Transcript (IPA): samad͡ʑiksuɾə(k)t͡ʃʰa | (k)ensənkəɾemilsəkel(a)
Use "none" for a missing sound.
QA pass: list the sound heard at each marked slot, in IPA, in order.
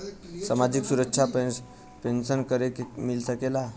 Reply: k, p, a

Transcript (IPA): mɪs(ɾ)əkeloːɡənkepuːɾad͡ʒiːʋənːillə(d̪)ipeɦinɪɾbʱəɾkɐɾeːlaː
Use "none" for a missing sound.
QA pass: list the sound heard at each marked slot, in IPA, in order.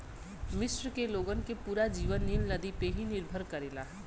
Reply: ɾ, d̪

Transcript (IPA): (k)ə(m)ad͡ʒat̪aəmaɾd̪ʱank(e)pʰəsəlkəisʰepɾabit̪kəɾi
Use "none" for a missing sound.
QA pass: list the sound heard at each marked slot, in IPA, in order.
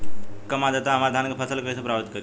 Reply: k, m, e

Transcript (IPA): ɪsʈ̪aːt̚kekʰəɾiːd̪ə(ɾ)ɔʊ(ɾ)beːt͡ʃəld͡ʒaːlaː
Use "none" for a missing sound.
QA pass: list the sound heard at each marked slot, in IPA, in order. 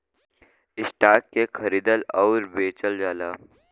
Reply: l, ɾ

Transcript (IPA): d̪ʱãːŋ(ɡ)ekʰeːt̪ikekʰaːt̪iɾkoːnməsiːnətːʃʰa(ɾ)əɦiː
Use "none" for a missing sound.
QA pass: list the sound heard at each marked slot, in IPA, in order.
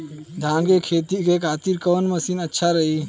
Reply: ɡ, ɾ

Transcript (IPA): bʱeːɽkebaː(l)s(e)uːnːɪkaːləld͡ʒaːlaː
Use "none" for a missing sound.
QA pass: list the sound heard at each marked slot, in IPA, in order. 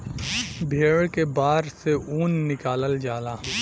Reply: ɾ, e

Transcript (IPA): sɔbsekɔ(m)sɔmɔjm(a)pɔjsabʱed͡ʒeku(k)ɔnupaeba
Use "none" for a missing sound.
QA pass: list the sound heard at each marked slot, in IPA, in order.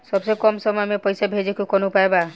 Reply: m, e, k

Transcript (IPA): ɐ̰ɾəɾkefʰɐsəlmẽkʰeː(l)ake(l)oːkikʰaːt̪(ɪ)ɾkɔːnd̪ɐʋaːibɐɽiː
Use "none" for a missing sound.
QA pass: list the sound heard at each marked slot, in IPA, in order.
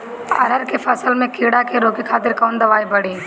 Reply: ɽ, ɾ, ɪ

